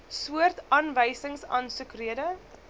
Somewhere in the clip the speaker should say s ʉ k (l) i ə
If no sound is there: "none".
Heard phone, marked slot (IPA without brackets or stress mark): r